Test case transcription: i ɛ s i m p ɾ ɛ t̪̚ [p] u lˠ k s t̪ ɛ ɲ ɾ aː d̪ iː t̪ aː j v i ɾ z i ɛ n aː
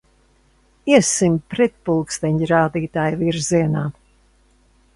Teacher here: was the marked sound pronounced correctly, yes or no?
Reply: yes